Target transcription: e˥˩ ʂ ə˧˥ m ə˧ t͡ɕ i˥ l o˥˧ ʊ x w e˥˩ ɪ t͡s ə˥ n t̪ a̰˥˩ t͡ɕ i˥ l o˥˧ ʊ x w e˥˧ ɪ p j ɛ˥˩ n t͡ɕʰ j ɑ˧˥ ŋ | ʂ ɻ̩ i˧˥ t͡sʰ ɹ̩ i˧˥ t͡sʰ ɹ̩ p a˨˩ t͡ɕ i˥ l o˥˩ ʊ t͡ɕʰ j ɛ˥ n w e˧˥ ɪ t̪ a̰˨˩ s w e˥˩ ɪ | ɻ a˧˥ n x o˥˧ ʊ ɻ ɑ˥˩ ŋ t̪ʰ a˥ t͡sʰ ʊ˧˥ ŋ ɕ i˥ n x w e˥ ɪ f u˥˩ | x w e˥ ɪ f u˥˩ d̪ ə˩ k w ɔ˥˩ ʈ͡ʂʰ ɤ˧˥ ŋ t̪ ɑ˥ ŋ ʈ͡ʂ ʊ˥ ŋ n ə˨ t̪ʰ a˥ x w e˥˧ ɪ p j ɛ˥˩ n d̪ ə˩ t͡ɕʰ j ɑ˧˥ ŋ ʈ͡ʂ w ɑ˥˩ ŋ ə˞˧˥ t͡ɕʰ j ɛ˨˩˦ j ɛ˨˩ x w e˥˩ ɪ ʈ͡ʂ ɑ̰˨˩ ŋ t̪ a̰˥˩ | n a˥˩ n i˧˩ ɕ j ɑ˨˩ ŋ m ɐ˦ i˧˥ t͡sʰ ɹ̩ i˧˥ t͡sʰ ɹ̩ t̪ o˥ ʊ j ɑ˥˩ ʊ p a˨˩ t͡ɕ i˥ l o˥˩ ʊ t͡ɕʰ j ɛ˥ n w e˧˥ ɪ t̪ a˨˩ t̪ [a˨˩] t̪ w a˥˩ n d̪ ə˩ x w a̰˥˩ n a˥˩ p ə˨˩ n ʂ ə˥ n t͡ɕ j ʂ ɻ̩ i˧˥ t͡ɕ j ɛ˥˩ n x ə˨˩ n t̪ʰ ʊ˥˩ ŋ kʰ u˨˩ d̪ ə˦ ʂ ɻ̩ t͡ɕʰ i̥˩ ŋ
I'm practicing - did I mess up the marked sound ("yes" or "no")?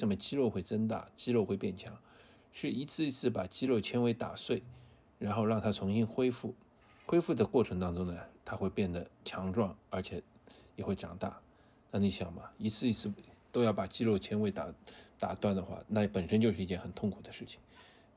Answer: no